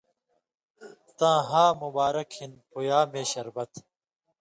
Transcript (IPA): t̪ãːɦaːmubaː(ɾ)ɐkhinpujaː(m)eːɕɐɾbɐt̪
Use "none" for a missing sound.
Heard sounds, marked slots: ɾ, m

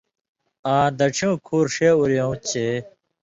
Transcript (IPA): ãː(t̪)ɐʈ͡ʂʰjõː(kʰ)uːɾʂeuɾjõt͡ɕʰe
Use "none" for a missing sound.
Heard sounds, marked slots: d̪, kʰ

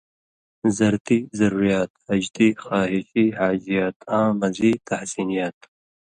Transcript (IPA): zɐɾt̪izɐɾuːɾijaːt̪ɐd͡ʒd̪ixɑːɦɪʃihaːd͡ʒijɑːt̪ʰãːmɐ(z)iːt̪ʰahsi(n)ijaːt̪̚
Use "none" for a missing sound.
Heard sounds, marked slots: z, n

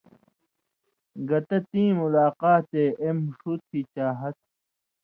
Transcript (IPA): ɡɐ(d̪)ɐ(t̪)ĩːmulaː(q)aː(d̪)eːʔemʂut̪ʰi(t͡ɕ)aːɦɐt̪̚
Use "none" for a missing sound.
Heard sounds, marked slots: t̪, t̪, q, t̪, t͡ɕ

